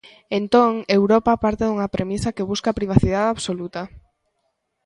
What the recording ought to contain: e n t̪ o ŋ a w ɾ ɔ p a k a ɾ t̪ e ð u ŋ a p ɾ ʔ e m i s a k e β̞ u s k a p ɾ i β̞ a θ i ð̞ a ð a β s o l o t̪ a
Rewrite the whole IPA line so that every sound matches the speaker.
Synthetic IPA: e n t̪ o ŋ e w ɾ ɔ p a p a ɾ t̪ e ð u ŋ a p ɾ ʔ e m i s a k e β̞ u s k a p ɾ i β̞ a θ i ð̞ a ð a β s o l u t̪ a

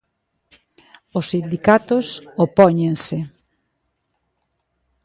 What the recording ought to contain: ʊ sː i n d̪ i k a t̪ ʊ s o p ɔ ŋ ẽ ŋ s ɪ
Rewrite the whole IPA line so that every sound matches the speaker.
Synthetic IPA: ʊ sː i n d̪ i k a t̪ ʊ s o p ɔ ɲ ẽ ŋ s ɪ

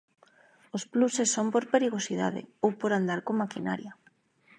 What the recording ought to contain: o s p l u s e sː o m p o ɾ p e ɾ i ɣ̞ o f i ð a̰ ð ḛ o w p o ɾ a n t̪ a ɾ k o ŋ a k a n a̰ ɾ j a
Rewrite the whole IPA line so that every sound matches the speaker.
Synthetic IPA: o s p l u s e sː o m p o ɾ p e ɾ i ɣ̞ o s i ð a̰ ð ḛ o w p o ɾ a n d̪ a ɾ k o m a k i n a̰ ɾ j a

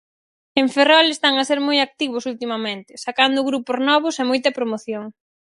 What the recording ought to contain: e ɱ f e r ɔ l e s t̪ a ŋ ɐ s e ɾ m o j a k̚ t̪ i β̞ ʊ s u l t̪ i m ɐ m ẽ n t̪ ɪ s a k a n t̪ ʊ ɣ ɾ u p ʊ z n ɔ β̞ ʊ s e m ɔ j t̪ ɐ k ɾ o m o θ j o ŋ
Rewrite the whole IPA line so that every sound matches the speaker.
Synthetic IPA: e ɱ f e r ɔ l e s t̪ a ŋ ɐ s e ɾ m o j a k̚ t̪ i β̞ ʊ s u l t̪ i m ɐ m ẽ n t̪ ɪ s a k a n d̪ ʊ ɣ ɾ u p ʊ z n ɔ β̞ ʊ s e m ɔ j t̪ ɐ p ɾ o m o θ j o ŋ

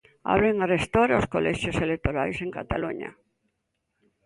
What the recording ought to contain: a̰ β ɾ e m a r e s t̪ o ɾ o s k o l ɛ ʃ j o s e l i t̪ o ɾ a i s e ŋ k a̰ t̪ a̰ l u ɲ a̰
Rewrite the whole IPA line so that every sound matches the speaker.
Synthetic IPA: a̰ β ɾ e ŋ a r e s t̪ o ɾ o s k o l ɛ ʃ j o s e l e t̪ o ɾ a j s e ŋ k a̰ t̪ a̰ l u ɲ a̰

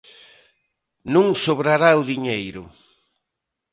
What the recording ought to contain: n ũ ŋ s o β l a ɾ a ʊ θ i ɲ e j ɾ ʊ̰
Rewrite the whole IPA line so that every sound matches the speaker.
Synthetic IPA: n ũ ŋ s o β ɾ a ɾ a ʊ ð i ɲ e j ɾ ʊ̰

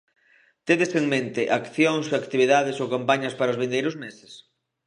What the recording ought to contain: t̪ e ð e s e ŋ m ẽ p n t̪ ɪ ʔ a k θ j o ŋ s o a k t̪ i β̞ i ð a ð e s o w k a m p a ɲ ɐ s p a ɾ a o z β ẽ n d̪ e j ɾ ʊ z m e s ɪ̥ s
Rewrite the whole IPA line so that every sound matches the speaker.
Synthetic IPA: t̪ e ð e s e ŋ m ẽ n t̪ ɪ ʔ a k θ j o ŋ s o a k t̪ i β̞ i ð a ð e s o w k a m p a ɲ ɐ s p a ɾ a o z β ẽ n d̪ e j ɾ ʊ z m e s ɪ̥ s

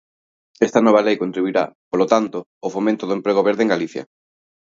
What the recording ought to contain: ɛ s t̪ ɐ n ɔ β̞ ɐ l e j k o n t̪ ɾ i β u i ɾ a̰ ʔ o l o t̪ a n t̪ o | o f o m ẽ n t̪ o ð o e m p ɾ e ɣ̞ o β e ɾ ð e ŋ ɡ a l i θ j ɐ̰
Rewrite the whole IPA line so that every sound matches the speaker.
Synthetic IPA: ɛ s t̪ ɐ n ɔ β̞ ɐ l e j k o n t̪ ɾ i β u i ɾ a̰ p o l o t̪ a n t̪ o | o f o m ẽ n t̪ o ð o e m p ɾ e ɣ̞ o β e ɾ ð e ŋ ɡ a l i θ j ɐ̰

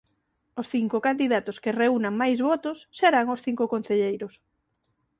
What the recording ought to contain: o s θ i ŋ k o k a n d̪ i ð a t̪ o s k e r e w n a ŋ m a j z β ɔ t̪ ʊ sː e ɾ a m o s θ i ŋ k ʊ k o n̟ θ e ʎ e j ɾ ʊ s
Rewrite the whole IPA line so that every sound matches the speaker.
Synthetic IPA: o s θ i ŋ k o k a n d̪ i ð a t̪ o s k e r e u n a ŋ m a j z β ɔ t̪ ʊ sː e ɾ a ŋ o s θ i ŋ k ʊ k o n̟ θ e ʎ e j ɾ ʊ s

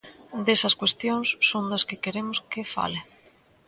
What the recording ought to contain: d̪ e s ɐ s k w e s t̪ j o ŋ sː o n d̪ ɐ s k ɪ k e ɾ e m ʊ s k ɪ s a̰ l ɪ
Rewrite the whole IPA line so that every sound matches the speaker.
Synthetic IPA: d̪ e s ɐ s k w e s t̪ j o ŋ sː o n d̪ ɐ s k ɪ k e ɾ e m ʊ s k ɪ f a̰ l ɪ

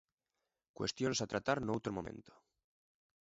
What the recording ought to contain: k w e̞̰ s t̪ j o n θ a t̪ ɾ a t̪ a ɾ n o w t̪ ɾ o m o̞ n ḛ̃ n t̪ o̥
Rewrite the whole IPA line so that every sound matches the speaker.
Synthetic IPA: k w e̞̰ s t̪ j o n s a t̪ ɾ a t̪ a ɾ n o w t̪ ɾ o m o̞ m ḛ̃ n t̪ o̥

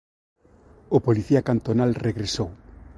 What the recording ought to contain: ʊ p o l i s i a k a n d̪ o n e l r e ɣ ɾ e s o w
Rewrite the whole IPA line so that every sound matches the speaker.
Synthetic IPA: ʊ p o l i θ i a k a n t̪ o n a l r e ɣ ɾ e s o w

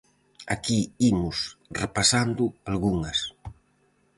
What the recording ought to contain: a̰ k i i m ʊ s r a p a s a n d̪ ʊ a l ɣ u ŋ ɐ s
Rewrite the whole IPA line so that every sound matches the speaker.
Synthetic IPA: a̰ k i i m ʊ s r e p a s a n d̪ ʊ a l ɣ u ŋ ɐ s

